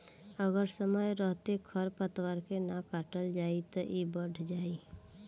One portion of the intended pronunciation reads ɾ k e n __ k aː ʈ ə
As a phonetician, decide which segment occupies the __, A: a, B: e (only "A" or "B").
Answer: A